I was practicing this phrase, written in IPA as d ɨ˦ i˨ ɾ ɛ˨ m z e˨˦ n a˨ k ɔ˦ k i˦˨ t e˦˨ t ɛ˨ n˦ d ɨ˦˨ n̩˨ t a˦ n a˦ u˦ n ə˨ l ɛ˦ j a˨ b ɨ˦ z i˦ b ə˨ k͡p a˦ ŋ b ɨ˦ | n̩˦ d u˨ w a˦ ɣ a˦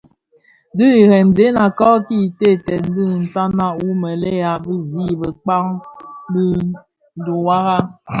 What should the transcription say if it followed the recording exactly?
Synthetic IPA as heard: d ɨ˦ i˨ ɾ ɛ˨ m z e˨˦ n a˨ k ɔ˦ k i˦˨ t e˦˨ t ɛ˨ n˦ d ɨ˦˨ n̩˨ t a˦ n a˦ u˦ m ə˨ l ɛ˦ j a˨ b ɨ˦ z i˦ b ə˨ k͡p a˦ ŋ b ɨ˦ | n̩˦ d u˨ w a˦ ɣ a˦